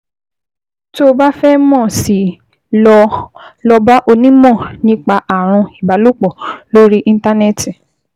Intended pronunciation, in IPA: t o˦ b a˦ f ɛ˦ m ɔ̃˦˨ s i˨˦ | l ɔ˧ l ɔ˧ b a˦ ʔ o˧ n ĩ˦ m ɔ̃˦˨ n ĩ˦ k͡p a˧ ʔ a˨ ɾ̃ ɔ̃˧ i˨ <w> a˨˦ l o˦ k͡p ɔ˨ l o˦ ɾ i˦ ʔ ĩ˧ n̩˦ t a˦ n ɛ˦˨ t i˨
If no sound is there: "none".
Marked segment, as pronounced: b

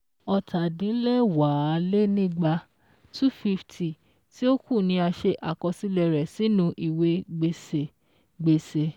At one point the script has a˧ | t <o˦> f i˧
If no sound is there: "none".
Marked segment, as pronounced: u˦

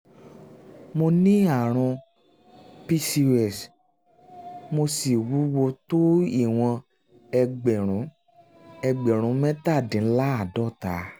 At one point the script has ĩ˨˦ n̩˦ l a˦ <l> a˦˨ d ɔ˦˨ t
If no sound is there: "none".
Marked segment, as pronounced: none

